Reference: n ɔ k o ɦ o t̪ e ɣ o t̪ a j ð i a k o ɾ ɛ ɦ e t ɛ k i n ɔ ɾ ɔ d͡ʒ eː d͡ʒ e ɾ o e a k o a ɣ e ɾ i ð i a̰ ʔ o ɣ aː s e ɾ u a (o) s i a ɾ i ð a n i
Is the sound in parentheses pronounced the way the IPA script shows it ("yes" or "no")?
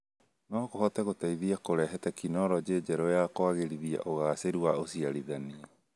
yes